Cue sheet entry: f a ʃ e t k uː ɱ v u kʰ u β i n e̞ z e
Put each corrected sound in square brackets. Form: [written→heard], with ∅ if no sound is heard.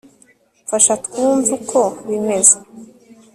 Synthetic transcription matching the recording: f a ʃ [e→a] t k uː ɱ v u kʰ [u→o] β i [n→m] e̞ z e